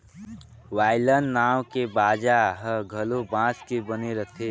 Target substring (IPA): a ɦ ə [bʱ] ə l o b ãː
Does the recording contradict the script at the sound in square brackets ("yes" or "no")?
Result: yes